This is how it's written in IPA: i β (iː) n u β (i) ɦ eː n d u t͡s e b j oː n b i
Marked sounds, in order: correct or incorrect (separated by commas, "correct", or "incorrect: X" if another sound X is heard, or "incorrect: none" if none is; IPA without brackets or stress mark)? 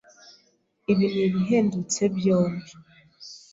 incorrect: i, correct